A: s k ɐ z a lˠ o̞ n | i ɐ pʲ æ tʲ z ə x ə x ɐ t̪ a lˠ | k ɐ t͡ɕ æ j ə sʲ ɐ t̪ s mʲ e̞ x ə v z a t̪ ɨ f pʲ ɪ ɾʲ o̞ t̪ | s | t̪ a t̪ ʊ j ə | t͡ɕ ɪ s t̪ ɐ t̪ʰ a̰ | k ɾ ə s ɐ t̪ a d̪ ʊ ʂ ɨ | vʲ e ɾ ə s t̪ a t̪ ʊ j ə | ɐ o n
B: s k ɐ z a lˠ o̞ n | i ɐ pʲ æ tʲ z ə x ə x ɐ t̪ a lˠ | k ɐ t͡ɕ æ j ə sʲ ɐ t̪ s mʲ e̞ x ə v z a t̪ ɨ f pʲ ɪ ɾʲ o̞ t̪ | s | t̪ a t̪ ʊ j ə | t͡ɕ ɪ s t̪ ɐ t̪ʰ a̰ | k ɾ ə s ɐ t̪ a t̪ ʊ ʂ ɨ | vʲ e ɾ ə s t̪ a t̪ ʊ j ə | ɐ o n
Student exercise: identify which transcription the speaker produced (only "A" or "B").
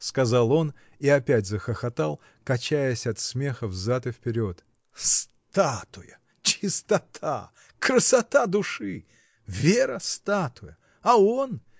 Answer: A